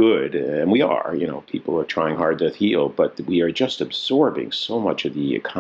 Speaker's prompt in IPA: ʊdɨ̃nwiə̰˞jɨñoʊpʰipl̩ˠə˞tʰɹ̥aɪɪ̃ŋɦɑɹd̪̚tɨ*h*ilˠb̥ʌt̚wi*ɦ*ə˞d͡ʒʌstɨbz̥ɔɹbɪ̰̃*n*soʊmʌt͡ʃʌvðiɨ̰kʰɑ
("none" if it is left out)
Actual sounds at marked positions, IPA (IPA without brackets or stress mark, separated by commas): h, none, ŋ